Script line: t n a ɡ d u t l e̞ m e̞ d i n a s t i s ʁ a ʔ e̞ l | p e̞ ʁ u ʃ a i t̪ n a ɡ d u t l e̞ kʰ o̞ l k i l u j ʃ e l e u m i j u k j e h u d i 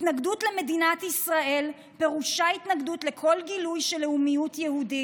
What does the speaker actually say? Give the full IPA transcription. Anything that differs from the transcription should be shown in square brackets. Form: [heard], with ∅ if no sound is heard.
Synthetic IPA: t n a ɡ d u t l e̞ m e̞ d i n a [∅] t i s ʁ a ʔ e̞ l | p e̞ ʁ u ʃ a i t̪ n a ɡ d u t l e̞ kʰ o̞ l [ɡ] i l u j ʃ e l e u m i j u [t] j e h u d i